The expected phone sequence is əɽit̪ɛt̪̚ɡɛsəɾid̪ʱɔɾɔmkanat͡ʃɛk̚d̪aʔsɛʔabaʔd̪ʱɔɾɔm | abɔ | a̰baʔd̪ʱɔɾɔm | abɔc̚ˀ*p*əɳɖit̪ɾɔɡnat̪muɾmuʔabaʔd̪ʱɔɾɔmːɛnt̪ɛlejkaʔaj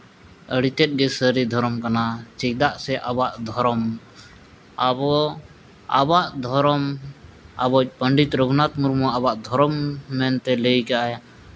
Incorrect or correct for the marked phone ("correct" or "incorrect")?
correct